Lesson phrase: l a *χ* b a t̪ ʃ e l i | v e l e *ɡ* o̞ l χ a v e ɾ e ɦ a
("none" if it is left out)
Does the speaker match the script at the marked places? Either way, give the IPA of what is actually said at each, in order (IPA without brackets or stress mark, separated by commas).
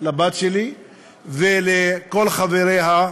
none, k